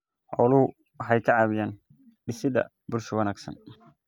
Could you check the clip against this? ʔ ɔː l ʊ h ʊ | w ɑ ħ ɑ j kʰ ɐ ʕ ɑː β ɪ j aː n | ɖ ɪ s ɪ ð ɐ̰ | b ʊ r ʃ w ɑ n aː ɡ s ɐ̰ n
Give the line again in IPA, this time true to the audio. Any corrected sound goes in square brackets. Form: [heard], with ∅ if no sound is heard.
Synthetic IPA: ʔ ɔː l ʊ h ʊ | w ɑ ħ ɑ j kʰ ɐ ʕ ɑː β ɪ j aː n | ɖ ɪ s ɪ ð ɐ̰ | b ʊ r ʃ w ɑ n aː ɡ s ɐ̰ n